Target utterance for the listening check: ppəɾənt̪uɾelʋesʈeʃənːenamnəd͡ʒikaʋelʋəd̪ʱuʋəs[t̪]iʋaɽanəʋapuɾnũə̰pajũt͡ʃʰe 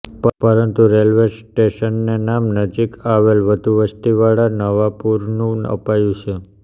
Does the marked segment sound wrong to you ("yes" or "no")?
no